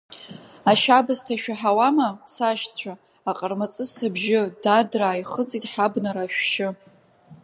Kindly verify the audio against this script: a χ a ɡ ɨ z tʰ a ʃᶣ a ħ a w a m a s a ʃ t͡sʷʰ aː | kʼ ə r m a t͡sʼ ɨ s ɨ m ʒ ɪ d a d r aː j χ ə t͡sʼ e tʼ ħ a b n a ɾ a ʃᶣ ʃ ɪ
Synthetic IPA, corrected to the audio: a ʃ a b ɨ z tʰ a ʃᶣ a ħ a w a m a s a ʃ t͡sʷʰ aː | qʼ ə r m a t͡sʼ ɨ s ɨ b ʒ ɪ d a d r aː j χ ə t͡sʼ i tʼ ħ a b n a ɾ a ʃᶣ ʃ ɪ